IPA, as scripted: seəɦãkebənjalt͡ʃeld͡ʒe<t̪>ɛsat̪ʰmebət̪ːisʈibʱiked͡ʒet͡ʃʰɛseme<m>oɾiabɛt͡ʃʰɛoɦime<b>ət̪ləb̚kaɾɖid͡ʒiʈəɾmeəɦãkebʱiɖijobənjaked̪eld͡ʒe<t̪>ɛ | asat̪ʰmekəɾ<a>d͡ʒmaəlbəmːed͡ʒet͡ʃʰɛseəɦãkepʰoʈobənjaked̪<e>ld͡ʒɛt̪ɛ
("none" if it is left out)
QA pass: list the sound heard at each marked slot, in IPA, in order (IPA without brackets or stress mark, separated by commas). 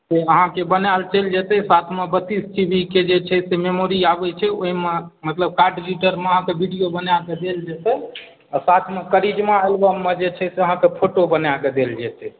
t̪, m, m, t̪, i, e